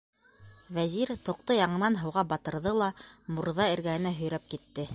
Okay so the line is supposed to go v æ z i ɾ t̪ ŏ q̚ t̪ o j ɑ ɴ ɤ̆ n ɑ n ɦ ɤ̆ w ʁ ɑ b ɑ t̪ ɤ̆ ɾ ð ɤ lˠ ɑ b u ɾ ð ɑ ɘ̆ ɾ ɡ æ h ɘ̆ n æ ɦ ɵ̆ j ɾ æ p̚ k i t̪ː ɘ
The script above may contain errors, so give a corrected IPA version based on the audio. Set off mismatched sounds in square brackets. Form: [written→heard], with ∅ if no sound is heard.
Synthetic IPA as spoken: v æ z i ɾ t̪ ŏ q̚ t̪ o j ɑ ɴ ɤ̆ n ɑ n ɦ ɤ̆ w ʁ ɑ b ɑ t̪ ɤ̆ ɾ ð ɤ lˠ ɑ [b→m] u ɾ ð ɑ ɘ̆ ɾ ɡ æ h ɘ̆ n æ ɦ ɵ̆ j ɾ æ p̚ k i t̪ː ɘ